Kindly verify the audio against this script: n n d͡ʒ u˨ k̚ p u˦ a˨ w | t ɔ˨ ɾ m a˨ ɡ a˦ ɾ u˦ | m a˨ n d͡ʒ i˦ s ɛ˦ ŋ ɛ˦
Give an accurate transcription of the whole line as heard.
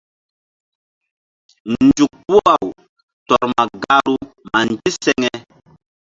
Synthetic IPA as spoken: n n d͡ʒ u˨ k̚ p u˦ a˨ w | t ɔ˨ ɾ m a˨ ɡ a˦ ɾ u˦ | m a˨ n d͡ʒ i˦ s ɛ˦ ŋ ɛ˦